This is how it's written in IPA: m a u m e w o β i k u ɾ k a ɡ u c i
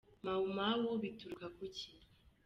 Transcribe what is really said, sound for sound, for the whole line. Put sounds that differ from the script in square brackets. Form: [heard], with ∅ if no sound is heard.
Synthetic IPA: m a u m [a] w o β i [t] u ɾ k a [k] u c i